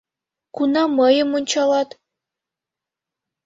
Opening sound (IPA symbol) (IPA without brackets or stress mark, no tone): k